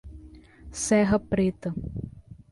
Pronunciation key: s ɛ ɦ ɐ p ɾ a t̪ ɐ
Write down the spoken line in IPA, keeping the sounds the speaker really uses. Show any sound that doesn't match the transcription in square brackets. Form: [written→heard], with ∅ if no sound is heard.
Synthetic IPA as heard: s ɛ ɦ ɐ p ɾ [a→e] t̪ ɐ

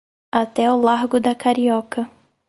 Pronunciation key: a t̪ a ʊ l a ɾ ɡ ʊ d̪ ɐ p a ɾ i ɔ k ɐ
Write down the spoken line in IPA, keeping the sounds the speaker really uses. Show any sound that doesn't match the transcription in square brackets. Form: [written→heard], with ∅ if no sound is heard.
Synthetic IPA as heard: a t̪ [a→ɛ] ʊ l a ɾ ɡ ʊ d̪ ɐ [p→k] a ɾ i ɔ k ɐ

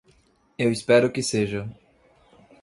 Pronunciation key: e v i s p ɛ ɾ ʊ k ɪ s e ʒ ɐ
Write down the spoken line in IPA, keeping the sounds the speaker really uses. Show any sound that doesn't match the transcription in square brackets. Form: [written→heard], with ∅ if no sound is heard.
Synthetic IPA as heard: e [v→w] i s p ɛ ɾ ʊ k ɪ s e ʒ ɐ

